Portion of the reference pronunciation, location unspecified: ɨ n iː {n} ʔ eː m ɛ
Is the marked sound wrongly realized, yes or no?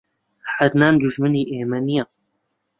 yes